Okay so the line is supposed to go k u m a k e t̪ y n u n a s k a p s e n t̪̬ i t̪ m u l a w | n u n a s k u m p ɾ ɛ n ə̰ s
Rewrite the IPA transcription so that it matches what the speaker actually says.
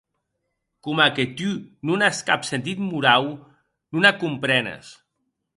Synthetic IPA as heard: k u m a k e t̪ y n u n a s k a p s e n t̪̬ i t̪ m u ɾ a w | n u n a k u m p ɾ ɛ n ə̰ s